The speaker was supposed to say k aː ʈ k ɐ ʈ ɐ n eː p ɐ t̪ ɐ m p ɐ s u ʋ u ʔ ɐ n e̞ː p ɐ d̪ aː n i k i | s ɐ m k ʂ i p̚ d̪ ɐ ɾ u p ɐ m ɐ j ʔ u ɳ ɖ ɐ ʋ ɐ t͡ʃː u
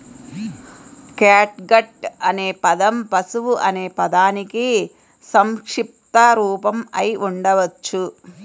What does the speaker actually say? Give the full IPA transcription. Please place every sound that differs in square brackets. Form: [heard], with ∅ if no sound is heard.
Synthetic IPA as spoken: k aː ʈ [ɡ] ɐ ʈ ɐ n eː p ɐ [d̪] ɐ m p ɐ s u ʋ u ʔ ɐ n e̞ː p ɐ d̪ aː n i k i | s ɐ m k ʂ i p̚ [t̪] ɐ ɾ [uː] p ɐ m ɐ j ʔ u ɳ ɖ ɐ ʋ ɐ t͡ʃː u